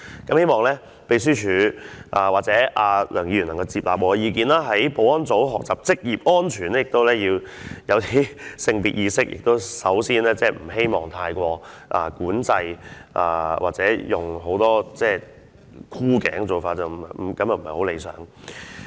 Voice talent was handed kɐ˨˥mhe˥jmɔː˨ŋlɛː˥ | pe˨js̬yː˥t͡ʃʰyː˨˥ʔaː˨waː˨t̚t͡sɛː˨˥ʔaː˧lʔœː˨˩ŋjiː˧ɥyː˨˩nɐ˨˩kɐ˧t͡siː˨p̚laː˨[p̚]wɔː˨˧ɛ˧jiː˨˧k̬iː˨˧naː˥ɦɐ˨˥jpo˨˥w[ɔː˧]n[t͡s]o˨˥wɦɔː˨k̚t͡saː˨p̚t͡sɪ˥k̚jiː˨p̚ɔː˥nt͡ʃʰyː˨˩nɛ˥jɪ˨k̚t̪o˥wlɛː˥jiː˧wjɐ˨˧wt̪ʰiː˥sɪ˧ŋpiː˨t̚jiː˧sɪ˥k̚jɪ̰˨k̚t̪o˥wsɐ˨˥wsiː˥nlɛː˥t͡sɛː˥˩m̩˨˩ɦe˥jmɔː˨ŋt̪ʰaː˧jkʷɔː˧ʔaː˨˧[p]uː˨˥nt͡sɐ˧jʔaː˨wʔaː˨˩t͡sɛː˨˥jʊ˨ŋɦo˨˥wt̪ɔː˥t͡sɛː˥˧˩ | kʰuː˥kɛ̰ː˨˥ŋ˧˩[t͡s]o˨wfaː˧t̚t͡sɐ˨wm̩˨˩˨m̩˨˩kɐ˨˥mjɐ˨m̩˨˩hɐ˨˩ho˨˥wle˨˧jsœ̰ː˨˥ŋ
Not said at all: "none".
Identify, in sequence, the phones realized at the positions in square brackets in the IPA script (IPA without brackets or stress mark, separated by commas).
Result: p̚, ɔː˥, t͡s, k, t͡s